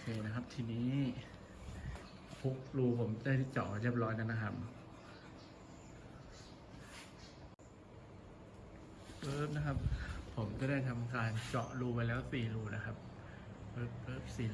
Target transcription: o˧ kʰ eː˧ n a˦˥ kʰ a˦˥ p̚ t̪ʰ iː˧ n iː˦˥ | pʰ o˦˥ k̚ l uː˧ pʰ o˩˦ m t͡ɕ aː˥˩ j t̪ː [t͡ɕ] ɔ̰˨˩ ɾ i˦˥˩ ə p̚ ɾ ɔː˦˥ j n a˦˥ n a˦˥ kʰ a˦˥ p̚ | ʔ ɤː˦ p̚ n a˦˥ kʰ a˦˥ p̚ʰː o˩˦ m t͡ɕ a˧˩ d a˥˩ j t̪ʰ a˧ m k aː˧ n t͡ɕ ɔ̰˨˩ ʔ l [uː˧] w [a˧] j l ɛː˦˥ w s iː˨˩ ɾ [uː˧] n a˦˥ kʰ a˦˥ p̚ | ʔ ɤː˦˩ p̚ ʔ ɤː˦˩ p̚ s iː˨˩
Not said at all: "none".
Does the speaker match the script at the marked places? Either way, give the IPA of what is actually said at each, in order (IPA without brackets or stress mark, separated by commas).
t͡ɕ, uː˧, a˧, uː˧